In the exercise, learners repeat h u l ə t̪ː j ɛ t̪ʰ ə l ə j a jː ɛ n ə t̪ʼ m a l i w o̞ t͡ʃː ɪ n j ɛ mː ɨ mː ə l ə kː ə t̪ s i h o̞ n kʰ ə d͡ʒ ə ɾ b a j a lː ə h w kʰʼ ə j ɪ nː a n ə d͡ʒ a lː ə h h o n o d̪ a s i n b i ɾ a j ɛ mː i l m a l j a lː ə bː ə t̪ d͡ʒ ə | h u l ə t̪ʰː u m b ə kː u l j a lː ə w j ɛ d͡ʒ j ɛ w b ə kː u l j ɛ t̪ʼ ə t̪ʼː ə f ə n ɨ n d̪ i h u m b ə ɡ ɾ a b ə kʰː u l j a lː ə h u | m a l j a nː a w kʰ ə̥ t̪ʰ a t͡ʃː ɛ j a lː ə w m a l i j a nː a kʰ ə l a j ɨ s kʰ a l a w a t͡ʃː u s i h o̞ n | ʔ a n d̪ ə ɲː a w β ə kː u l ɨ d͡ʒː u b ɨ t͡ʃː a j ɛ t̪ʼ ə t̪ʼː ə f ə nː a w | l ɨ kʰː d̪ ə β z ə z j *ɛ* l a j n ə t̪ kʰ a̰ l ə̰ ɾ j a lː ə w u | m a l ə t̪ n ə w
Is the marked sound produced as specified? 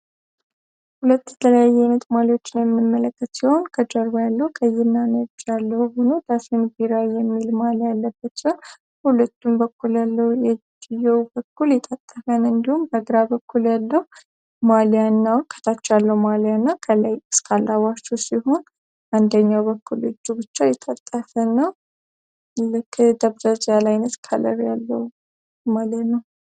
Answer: no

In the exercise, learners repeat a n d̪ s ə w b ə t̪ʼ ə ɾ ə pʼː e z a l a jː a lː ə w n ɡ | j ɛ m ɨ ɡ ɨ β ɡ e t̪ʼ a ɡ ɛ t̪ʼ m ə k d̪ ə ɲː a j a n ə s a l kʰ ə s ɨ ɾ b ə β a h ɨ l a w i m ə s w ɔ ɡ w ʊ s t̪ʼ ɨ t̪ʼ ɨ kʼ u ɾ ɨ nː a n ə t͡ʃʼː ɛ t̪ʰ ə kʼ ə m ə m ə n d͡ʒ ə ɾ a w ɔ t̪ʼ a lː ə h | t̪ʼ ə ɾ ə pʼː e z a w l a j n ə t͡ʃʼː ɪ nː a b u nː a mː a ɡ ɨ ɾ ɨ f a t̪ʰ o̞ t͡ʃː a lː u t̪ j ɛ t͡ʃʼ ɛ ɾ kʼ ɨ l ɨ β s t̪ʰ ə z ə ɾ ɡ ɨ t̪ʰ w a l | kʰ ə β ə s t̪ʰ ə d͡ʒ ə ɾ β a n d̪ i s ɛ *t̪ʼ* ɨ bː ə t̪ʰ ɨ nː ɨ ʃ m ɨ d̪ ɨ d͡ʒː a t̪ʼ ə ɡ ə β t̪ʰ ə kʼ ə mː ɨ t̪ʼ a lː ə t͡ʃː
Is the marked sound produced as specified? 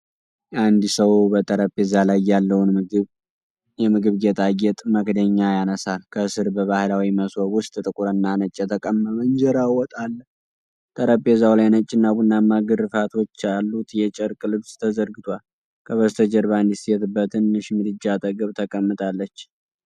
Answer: no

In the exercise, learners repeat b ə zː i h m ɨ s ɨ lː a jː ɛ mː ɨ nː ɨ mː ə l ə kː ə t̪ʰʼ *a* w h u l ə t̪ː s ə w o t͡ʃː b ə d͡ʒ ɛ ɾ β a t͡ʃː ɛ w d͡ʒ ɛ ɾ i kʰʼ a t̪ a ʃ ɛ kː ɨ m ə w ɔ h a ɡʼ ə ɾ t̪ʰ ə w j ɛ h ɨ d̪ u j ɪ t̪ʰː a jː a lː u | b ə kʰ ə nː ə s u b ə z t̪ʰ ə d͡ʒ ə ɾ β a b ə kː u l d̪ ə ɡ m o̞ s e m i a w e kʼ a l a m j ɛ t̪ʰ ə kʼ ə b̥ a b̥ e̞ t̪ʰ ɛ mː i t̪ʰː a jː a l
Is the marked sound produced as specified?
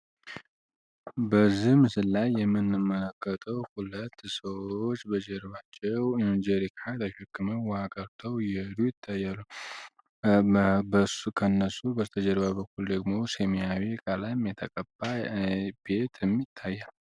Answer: no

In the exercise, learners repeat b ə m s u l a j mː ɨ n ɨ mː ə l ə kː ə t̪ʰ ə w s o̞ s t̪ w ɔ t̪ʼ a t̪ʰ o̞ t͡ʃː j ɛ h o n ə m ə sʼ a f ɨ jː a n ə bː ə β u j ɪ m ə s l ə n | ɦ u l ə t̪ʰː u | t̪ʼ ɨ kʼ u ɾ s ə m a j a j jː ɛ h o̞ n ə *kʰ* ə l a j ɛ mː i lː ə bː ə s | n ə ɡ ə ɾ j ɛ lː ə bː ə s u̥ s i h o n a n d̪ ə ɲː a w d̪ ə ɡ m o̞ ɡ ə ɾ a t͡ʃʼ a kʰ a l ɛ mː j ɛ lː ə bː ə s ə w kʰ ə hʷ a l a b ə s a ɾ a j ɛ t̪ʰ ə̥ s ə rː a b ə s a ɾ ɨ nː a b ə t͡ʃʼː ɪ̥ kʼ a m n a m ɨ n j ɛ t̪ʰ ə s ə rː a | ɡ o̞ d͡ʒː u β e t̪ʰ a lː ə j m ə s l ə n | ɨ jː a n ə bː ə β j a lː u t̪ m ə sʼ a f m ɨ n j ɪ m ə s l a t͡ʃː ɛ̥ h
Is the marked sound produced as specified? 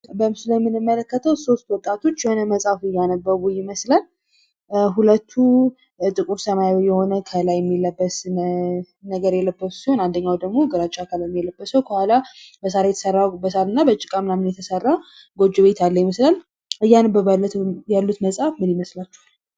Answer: yes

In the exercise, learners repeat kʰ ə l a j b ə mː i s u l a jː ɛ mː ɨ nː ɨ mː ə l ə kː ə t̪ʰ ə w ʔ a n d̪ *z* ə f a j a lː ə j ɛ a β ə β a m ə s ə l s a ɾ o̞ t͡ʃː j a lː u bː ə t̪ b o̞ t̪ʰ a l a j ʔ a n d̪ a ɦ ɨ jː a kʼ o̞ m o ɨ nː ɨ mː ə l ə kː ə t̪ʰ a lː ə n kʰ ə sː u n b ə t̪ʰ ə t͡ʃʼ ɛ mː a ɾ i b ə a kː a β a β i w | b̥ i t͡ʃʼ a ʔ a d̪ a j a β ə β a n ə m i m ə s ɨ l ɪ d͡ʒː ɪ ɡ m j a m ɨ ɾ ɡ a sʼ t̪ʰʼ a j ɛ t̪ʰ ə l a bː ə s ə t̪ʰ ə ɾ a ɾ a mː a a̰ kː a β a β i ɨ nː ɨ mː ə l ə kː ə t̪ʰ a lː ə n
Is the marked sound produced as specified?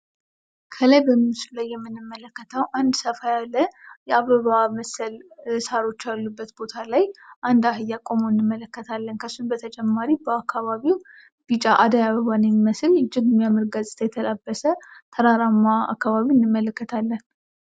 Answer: no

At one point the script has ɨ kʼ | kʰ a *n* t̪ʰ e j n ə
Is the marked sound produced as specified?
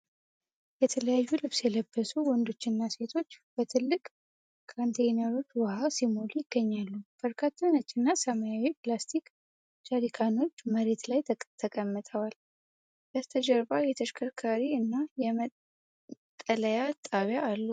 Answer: yes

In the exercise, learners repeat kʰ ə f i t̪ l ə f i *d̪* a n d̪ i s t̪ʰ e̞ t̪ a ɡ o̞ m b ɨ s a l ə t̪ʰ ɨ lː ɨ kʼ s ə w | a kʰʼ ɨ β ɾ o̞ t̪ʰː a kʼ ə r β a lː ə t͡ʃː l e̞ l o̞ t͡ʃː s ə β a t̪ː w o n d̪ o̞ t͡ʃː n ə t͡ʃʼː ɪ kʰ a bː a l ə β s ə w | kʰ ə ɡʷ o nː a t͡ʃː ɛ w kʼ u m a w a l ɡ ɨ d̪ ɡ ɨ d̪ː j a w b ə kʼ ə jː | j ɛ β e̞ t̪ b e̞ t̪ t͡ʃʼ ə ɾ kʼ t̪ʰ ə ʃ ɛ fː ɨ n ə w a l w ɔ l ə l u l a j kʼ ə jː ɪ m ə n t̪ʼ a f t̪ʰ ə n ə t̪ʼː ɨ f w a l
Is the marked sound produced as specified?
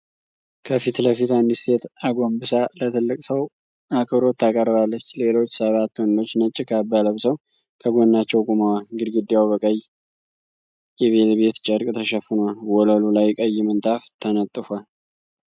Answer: no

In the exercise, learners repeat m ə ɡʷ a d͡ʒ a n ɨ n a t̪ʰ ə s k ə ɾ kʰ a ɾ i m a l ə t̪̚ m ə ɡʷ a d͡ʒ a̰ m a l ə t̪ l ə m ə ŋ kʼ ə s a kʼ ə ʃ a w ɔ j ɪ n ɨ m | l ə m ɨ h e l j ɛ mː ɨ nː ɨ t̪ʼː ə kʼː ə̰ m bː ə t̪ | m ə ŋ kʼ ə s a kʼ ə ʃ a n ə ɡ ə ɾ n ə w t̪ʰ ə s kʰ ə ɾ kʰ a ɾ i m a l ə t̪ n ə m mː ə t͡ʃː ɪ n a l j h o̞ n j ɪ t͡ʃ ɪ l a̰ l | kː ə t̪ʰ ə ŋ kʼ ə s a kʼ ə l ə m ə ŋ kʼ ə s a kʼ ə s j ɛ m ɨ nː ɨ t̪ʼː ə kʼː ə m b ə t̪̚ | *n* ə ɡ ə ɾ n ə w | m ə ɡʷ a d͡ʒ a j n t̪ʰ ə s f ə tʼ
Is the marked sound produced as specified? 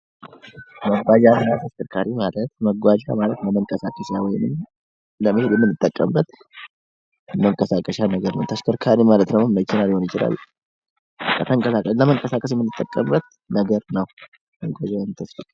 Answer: yes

